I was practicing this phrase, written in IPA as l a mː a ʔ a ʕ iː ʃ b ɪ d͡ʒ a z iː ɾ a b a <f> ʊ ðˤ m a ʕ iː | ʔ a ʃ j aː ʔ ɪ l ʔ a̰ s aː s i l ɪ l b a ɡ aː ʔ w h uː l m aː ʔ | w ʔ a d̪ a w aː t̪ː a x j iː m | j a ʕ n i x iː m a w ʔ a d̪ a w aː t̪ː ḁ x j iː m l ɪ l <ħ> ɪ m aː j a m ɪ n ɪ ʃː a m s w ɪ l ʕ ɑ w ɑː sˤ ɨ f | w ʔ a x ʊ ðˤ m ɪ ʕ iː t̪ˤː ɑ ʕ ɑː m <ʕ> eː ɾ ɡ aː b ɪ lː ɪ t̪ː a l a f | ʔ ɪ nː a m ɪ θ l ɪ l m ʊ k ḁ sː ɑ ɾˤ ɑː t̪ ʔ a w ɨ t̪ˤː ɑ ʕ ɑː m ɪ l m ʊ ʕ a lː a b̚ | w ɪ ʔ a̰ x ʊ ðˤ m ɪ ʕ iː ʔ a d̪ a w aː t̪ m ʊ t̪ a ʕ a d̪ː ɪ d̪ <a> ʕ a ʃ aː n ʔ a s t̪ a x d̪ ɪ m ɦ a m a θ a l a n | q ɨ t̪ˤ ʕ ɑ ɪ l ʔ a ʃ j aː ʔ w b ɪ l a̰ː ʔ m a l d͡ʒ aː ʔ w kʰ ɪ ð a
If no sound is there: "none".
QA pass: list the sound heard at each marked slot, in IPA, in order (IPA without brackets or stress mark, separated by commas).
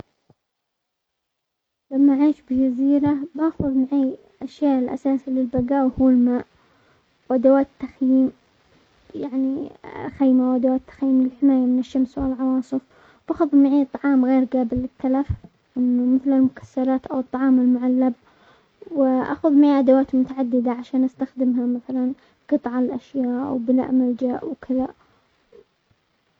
x, ħ, ɣ, a